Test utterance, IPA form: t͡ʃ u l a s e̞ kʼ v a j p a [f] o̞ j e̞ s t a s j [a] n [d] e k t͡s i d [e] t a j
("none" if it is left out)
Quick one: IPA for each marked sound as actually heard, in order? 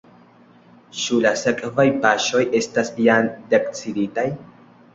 ʃ, a, d, i

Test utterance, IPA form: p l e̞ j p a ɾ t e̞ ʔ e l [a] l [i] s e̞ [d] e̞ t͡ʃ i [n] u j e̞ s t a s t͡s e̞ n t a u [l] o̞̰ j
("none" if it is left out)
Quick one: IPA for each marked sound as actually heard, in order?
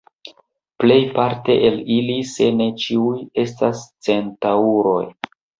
i, i, n, none, ɾ

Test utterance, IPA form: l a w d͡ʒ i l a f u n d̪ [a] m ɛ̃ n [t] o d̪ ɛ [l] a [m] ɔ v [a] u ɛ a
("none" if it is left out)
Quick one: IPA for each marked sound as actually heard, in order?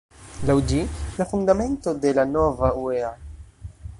a, t, l, n, a

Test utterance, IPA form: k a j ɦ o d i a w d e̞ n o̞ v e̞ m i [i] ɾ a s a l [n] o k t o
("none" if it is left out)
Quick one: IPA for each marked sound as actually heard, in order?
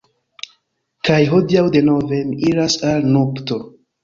i, n

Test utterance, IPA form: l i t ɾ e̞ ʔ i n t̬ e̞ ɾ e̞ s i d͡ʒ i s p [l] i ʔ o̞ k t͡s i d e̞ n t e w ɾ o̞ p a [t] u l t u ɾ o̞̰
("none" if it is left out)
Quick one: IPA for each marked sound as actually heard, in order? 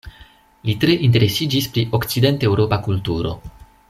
ɾ, k

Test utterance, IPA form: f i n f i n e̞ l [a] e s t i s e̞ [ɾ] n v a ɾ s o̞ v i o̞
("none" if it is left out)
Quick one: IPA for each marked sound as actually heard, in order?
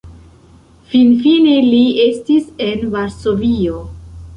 i, none

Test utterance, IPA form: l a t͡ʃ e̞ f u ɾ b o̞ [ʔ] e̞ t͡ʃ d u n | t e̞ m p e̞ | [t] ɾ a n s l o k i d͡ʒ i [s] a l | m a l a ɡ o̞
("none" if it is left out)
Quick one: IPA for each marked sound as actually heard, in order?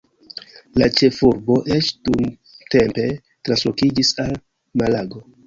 ʔ, t, s

